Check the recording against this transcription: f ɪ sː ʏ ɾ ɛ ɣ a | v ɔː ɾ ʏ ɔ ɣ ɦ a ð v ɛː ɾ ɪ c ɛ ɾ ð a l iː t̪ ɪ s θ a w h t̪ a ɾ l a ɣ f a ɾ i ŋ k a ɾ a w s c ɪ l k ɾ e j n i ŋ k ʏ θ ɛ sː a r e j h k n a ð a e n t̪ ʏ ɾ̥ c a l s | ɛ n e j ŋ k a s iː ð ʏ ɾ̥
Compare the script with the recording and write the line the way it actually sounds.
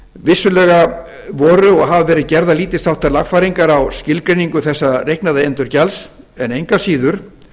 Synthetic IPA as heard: v ɪ sː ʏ l ɛ ɣ a | v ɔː ɾ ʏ ɔ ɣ ɦ a v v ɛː ɾ ɪ c ɛ ɾ ð a l iː t̪ ɪ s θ a w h t̪ a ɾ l a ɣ f a ɾ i ŋ k a ɾ a w s c ɪ l k ɾ e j n i ŋ k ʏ θ ɛ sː a r e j h k n a ð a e n t̪ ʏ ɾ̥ c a l s | ɛ n e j ŋ k a s iː ð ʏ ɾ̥

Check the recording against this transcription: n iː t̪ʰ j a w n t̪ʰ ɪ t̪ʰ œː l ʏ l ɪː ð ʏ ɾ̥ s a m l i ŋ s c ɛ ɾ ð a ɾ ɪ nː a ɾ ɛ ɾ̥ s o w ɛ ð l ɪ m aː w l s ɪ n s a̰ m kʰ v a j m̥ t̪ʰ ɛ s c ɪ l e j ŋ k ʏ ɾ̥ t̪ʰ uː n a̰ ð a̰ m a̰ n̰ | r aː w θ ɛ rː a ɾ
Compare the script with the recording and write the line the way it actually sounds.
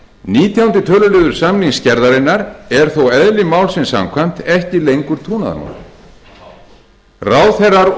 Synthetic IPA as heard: n iː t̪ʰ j a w n t̪ ɪ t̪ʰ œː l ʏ l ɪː ð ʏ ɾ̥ s a m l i ŋ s c ɛ ɾ ð a ɾ ɪ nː a ɾ ɛ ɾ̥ θ o w ɛ ð l ɪ m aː w l s ɪ n s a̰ m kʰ v a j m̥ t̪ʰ ɛ h c ɪ l e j ŋ k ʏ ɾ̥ t̪ʰ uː n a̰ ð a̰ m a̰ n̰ | r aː w θ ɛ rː a ɾ

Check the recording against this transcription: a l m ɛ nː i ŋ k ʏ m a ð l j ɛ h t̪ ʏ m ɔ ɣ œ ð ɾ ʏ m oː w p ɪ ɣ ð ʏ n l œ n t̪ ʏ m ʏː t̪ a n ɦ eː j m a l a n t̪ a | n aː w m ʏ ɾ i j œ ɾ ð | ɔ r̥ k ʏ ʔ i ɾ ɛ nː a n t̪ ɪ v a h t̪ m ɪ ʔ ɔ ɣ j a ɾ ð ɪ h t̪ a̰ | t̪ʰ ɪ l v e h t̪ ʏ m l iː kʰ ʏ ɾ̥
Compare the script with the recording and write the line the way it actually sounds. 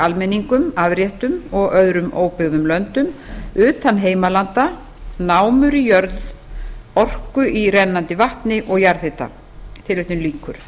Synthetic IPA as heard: a l m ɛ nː i ŋ k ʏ m a ð ɾ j ɛ h t̪ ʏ m ɔ ɣ œ ð ɾ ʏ m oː w p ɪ ɣ ð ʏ m l œ n t̪ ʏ m ʏː t̪ a n ɦ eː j m a l a n t̪ a | n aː w m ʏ ɾ i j œ ɾ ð | ɔ r̥ k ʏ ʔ i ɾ ɛ nː a n t̪ ɪ v a h t̪ n ɪ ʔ ɔ ɣ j a ɾ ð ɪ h t̪ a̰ | t̪ʰ ɪ l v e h t̪ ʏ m l iː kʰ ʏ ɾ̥

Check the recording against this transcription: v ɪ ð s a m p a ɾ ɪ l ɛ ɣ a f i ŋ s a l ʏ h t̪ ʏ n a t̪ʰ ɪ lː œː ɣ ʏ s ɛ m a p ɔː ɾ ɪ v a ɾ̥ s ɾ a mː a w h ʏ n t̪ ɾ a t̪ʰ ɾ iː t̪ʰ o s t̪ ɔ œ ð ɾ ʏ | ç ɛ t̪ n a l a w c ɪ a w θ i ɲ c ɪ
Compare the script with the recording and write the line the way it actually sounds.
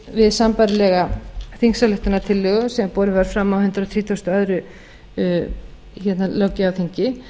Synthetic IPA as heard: v ɪ ð s a m p a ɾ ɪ l ɛ ɣ a θ i ŋ s a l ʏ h t̪ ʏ n a t̪ʰ ɪ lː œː ɣ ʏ s ɛ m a p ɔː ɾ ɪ v a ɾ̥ f ɾ a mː a w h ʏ n t̪ ɾ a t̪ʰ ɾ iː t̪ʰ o s t̪ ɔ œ ð ɾ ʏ | ç ɛ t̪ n a l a w c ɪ a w θ i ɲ c ɪ

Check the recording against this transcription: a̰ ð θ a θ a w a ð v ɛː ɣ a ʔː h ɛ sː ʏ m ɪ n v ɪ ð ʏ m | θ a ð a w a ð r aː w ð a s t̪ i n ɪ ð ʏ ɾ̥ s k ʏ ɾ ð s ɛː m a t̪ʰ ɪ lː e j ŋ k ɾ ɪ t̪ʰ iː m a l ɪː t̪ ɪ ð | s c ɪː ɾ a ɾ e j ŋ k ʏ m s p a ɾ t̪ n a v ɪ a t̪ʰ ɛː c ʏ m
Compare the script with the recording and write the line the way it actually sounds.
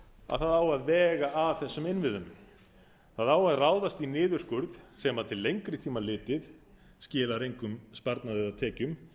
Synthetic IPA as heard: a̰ ð θ a ð a w a ð v ɛː ɣ a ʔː θ ɛ sː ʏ m ɪ n v ɪ ð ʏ m | θ a ð a w a ð r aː w ð a s t̪ i n ɪː ð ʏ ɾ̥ s k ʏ ɾ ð s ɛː m a t̪ʰ ɪ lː e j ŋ k ɾ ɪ t̪ʰ iː m a l ɪː t̪ ɪ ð | s c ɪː l a ɾ e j ŋ k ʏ m s p a ɾ t̪ n a ð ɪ a t̪ʰ ɛː c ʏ m

